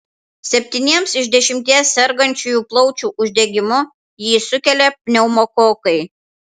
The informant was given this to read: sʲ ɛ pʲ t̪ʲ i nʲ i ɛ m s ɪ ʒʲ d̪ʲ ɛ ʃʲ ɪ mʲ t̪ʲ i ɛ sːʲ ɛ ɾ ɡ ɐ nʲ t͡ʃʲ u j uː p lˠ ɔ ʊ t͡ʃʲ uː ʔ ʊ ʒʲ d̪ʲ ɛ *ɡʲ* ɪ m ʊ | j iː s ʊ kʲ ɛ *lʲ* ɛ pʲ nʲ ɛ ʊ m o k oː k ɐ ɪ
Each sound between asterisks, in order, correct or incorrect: correct, correct

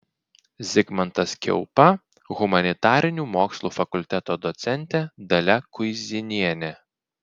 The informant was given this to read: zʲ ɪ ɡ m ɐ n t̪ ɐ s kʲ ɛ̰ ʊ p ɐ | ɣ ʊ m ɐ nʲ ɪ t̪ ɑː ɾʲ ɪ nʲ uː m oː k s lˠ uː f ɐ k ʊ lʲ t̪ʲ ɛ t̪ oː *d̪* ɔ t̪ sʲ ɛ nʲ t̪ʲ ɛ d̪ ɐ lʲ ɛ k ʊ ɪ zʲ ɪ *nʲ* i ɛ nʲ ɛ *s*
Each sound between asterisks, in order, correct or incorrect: correct, correct, incorrect

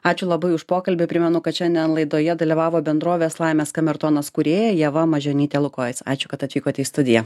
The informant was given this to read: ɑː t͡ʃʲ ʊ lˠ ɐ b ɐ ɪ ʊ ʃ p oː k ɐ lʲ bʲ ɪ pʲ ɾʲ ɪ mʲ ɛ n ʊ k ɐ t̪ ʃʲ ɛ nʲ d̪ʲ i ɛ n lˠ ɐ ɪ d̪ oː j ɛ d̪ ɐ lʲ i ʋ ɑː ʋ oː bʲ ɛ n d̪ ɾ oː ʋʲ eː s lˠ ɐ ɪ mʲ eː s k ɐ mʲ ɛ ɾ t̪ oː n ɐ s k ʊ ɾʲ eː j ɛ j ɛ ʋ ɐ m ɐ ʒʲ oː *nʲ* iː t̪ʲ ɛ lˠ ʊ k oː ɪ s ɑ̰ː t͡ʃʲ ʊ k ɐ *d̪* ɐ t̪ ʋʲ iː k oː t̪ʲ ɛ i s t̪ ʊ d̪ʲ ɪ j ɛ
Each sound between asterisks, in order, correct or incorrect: correct, incorrect

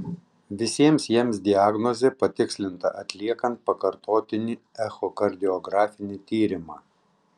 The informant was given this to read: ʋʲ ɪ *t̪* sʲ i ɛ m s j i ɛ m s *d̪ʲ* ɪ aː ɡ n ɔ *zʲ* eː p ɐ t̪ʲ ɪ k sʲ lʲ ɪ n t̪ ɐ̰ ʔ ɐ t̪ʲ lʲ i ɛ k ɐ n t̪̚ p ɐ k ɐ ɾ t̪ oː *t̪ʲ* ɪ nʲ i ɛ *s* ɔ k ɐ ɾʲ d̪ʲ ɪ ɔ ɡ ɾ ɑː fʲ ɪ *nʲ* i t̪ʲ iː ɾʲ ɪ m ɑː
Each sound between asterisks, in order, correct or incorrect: incorrect, correct, correct, correct, incorrect, correct

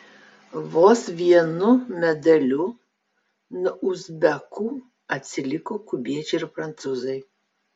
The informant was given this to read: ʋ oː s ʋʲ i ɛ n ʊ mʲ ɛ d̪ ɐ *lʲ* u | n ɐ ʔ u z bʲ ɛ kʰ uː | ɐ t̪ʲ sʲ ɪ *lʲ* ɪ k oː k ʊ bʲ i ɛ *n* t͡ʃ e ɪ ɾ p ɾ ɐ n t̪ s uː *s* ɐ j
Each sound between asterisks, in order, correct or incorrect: correct, correct, incorrect, incorrect

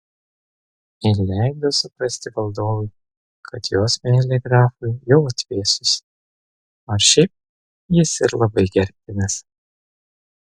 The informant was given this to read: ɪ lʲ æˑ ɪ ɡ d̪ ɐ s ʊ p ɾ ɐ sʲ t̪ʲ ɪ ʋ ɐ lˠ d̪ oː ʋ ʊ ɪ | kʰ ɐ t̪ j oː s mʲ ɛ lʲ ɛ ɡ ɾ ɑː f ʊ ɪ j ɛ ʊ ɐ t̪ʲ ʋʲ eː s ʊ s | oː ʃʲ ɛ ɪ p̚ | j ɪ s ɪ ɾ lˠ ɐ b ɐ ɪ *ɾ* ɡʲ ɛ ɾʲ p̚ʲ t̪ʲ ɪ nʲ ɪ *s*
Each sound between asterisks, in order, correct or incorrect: incorrect, correct

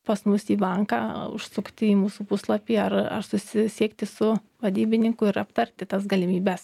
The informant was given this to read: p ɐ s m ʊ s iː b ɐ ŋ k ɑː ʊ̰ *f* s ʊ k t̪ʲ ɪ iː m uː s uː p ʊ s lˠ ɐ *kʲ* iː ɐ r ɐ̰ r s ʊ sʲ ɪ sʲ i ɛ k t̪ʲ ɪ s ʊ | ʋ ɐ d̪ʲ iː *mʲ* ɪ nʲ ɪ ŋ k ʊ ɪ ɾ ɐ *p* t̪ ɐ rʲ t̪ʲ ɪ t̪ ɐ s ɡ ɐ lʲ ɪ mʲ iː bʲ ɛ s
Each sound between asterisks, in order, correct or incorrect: incorrect, incorrect, incorrect, correct

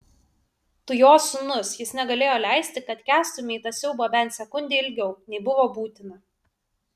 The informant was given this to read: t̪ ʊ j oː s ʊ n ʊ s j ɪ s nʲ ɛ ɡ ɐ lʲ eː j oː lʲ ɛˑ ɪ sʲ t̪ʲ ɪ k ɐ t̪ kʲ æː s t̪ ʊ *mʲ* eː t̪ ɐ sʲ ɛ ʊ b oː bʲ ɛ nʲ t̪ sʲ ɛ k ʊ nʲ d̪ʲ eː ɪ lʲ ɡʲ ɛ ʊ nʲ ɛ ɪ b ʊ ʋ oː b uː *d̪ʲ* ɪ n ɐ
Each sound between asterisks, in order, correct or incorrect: correct, incorrect

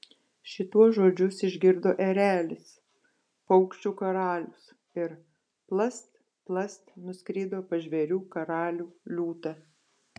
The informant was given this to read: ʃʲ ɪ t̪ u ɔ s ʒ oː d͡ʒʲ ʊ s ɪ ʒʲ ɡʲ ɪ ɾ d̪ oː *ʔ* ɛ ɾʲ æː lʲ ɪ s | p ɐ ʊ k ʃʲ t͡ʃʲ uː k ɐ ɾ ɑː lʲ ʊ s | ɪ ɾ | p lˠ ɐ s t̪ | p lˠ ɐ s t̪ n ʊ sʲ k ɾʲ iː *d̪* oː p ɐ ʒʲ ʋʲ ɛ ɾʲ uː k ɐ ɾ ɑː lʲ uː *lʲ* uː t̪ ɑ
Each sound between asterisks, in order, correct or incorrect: correct, correct, correct

